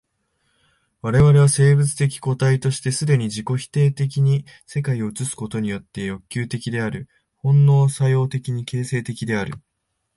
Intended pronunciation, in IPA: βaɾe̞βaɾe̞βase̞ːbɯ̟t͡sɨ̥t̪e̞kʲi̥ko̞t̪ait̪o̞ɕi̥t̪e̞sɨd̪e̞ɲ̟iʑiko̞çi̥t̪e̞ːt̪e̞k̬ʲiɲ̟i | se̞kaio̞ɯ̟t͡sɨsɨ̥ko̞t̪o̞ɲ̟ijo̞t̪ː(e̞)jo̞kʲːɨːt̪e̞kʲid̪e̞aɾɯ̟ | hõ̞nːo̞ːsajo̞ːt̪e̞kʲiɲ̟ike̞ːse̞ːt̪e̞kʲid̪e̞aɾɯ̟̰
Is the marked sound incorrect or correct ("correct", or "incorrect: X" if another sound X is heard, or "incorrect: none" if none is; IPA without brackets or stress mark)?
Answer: correct